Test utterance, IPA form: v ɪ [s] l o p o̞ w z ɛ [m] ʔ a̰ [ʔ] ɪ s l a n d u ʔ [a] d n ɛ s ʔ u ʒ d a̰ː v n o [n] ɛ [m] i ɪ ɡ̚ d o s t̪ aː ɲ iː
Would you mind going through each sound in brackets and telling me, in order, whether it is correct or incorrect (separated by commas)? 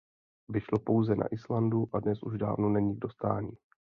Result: incorrect, incorrect, correct, correct, correct, incorrect